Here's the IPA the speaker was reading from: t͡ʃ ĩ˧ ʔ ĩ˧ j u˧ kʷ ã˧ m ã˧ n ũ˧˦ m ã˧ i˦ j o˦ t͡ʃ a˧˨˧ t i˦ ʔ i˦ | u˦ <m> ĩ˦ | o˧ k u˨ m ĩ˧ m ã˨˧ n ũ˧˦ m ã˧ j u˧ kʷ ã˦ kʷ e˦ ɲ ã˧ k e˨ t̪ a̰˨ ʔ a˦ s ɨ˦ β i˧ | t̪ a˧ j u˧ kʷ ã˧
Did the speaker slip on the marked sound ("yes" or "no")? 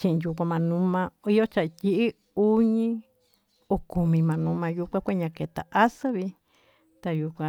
yes